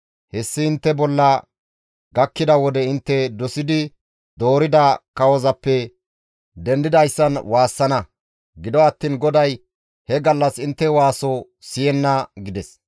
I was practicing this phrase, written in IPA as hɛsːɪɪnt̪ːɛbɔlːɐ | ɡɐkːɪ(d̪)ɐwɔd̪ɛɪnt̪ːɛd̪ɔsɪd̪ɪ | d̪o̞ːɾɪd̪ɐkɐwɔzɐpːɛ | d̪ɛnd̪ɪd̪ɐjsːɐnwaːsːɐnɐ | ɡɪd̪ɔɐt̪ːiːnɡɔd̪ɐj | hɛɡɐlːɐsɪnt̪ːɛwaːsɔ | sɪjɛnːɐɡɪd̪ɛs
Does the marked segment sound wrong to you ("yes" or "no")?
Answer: no